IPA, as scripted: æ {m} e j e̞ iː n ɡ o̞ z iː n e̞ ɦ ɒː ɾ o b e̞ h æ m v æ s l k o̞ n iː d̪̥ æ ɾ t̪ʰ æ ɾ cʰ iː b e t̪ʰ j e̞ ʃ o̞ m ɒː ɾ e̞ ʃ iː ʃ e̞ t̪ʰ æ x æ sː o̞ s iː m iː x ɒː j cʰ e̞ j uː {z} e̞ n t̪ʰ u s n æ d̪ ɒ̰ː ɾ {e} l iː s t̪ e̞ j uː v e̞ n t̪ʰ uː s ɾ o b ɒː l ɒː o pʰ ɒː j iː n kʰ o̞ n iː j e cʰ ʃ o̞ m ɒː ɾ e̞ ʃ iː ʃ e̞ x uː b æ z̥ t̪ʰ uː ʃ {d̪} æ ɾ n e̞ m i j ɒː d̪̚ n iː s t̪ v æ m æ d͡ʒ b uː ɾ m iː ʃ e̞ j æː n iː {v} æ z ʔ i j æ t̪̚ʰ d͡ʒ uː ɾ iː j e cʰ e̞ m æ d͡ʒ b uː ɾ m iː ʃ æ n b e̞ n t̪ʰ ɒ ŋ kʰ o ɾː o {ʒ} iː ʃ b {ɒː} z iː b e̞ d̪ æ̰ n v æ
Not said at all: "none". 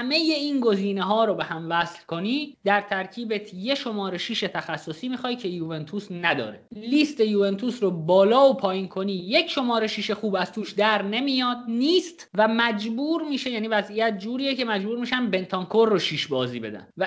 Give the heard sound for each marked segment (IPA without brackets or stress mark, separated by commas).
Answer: m, v, e, d̪, v, ʃ, ɒː